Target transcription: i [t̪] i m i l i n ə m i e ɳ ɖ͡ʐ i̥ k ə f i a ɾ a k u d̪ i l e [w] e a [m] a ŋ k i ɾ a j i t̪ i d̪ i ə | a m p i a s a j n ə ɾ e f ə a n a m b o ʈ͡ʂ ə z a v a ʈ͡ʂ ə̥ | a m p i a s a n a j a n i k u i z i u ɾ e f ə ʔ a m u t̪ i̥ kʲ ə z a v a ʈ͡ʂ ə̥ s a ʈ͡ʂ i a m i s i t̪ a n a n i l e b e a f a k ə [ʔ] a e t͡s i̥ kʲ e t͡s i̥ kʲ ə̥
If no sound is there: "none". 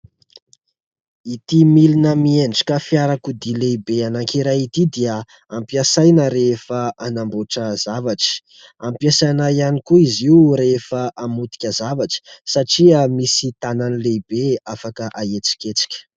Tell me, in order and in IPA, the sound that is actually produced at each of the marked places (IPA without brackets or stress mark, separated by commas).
t̪, b, n, ʔ